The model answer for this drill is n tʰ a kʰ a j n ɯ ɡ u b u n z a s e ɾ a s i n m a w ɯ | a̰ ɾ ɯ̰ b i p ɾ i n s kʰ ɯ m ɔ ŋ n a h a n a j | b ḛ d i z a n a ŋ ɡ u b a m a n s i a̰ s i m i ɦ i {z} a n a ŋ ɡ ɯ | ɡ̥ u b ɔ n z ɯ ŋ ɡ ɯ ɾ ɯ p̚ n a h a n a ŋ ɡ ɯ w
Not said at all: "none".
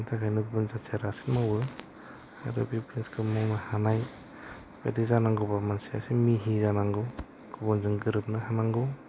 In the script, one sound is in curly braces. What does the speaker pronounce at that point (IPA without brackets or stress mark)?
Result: z